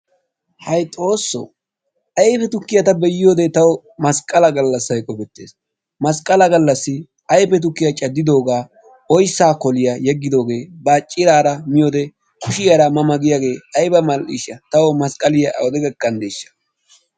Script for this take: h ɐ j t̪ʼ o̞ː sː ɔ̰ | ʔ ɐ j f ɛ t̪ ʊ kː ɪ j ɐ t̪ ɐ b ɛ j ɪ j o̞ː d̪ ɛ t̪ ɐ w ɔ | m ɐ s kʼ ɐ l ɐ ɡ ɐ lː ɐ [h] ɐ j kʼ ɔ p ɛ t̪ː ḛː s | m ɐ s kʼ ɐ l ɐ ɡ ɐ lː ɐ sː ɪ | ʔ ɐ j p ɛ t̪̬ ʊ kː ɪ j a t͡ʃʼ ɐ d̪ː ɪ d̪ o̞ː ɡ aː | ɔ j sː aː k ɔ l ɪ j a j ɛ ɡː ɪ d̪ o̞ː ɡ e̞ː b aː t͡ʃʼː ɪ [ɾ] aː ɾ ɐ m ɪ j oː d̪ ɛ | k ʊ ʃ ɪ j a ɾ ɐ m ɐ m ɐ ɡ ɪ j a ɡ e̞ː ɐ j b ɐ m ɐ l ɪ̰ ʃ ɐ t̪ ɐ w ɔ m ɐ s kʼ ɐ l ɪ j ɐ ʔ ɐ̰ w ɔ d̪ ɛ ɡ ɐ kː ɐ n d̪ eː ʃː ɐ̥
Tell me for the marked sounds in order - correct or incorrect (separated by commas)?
incorrect, correct